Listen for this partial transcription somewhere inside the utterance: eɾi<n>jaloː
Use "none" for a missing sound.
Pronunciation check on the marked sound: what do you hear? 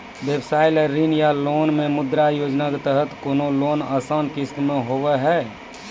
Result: n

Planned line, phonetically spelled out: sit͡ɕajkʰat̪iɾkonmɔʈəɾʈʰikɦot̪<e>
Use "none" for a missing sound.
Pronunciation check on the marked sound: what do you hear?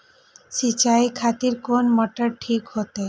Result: e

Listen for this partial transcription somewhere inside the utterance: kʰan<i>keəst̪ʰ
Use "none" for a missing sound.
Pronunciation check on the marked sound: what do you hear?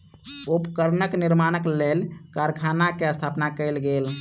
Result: a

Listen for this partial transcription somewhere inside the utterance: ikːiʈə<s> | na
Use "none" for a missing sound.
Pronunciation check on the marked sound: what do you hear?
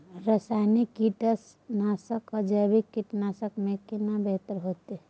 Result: s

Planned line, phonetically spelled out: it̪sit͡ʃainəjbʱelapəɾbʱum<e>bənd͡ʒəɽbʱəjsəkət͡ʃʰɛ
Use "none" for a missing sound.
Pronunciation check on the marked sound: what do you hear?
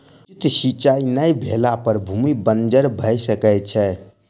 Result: i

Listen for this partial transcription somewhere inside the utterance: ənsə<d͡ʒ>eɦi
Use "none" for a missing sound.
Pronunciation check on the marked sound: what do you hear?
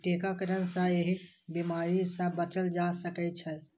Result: none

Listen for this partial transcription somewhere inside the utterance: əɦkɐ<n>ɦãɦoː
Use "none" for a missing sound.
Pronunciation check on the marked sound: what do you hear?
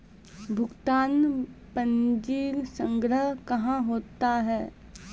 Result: none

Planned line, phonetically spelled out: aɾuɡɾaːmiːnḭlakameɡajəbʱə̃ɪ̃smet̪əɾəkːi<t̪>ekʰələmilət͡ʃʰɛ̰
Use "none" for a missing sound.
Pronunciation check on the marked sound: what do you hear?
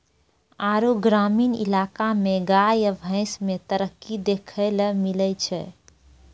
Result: d̪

